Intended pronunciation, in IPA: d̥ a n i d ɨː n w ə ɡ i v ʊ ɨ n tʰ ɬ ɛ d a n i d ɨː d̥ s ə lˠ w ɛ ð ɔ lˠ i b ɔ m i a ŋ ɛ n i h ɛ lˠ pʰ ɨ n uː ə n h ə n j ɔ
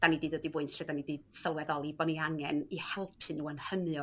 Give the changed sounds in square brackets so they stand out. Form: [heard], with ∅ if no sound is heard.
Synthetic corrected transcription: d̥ a n i d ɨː [d] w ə [d] i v ʊ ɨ n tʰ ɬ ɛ d a n i d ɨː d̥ s ə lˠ w ɛ ð ɔ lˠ i b ɔ [n] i a ŋ ɛ n i h ɛ lˠ pʰ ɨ n uː ə n h ə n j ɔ